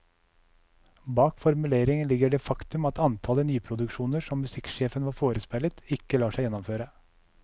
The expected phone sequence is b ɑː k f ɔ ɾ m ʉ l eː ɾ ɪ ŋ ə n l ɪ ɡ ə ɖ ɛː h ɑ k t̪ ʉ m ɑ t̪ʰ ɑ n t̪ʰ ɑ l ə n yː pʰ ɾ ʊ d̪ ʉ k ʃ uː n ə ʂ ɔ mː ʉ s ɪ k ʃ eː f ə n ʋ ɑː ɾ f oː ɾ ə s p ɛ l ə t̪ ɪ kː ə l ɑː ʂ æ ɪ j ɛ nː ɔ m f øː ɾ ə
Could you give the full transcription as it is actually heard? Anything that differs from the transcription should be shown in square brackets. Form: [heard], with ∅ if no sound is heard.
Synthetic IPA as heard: b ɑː k f ɔ ɾ m ʉ l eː ɾ ɪ ŋ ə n l ɪ ɡ ə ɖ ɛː [f] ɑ k t̪ ʉ m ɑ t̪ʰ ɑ n t̪ʰ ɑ l ə n yː pʰ ɾ ʊ d̪ ʉ k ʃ uː n ə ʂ ɔ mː ʉ s ɪ k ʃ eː f ə n ʋ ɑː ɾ f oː ɾ ə s p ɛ l ə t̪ ɪ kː ə l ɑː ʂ æ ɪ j ɛ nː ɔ m f øː ɾ ə